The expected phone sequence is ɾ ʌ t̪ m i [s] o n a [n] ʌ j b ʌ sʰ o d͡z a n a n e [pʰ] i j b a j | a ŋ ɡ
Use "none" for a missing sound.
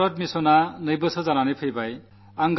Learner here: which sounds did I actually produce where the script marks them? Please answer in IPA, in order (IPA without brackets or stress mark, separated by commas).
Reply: s, n, pʰ